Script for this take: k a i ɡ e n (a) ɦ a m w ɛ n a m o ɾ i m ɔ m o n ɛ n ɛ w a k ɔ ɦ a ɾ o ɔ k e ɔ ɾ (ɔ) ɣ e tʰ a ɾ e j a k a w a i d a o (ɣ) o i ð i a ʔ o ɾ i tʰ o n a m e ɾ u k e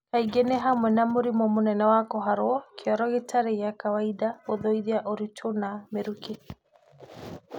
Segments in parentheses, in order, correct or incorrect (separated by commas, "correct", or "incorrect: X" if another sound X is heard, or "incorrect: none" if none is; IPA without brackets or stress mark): incorrect: e, correct, incorrect: ð